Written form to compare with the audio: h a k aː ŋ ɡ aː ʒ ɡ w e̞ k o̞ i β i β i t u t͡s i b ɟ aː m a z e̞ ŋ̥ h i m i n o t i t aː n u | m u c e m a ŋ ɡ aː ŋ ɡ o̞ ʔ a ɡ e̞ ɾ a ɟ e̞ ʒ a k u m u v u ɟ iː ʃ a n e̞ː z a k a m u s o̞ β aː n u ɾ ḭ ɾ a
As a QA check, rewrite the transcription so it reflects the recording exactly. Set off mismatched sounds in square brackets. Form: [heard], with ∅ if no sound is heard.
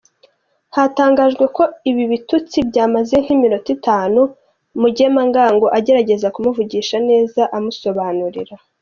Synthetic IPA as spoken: h a [t] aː ŋ ɡ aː ʒ ɡ w e̞ k o̞ i β i β i t u t͡s i b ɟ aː m a z e̞ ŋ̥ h i m i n o t i t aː n u | m u [ɟ] e m a ŋ ɡ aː ŋ ɡ o̞ ʔ a [ɟ] e̞ ɾ a ɟ e̞ [z] a k u m u v u ɟ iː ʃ a n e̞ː z a [ʔ] a m u s o̞ β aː n u ɾ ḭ ɾ a